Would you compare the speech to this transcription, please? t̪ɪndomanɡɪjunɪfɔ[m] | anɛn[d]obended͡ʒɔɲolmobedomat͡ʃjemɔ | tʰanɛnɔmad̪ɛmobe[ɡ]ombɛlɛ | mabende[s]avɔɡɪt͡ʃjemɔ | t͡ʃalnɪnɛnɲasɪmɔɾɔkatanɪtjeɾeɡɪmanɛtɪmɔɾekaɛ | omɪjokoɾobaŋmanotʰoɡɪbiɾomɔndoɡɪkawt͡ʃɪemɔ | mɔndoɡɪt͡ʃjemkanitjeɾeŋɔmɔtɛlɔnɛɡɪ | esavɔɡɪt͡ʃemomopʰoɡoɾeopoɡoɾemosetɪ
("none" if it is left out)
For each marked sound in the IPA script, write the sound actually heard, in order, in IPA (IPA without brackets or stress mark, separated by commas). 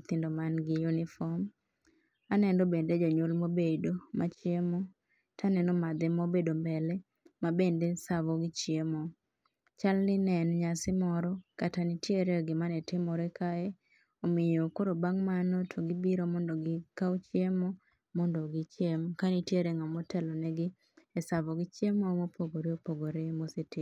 m, d, d, s